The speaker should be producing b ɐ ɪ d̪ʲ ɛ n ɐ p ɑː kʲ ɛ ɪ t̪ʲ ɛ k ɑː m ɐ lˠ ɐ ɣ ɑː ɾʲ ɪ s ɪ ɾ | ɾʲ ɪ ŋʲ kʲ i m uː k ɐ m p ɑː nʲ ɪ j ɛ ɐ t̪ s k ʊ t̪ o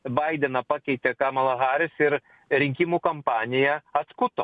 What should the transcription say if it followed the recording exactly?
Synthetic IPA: b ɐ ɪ d̪ʲ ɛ n ɐ p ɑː kʲ ɛ ɪ t̪ʲ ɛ k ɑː m ɐ lˠ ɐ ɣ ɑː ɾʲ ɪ s ɪ ɾ | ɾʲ ɪ ŋʲ kʲ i m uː k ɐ m p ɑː nʲ ɪ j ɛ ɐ t̪ s k ʊ t̪ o